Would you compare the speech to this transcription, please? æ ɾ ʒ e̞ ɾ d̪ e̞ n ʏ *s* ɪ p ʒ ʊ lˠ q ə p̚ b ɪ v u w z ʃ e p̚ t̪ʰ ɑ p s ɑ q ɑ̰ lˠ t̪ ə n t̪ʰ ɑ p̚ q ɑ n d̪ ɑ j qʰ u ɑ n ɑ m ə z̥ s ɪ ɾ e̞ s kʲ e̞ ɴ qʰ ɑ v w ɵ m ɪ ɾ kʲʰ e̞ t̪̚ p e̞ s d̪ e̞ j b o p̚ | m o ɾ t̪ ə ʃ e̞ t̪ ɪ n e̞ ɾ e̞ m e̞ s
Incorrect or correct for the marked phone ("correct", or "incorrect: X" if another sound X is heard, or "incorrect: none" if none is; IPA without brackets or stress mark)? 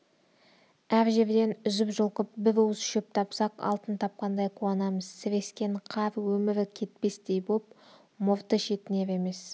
incorrect: z